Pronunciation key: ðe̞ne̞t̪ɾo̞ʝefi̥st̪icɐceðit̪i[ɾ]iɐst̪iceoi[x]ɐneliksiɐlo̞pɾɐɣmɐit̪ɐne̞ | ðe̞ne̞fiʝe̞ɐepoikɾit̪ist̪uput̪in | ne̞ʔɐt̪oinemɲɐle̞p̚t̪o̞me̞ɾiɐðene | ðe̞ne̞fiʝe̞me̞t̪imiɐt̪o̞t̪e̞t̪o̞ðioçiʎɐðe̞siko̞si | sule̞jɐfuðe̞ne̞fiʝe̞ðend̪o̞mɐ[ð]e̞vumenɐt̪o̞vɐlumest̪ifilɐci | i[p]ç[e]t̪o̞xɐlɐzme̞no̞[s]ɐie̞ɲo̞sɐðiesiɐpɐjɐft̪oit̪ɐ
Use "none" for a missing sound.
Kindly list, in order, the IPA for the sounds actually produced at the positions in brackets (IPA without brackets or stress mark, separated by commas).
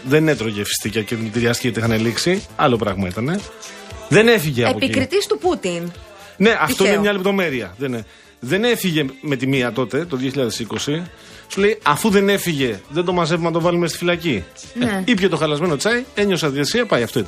ɾ, x, z, p, e, t͡s